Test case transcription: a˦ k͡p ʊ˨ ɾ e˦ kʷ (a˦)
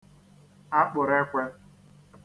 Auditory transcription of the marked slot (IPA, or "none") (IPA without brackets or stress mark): e˦